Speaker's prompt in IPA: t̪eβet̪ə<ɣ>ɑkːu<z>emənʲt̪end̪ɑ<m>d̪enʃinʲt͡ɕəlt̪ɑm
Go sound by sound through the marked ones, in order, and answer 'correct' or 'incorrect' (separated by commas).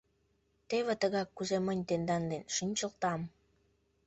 correct, correct, incorrect